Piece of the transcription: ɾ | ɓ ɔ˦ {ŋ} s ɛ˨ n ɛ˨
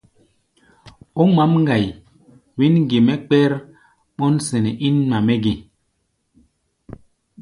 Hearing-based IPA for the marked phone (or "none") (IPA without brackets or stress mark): n